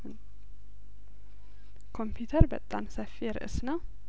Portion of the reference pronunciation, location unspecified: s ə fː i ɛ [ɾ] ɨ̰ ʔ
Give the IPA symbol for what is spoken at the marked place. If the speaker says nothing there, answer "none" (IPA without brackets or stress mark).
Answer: ɾ